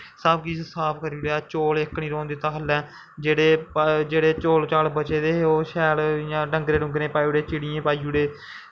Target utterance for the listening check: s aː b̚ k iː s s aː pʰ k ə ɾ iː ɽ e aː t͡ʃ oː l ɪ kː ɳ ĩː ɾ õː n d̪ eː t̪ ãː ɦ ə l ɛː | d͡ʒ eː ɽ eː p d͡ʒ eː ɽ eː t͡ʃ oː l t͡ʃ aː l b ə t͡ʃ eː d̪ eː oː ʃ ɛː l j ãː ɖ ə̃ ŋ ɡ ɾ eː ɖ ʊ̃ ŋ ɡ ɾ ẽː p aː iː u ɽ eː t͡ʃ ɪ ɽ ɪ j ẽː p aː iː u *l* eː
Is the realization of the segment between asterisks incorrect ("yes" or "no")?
yes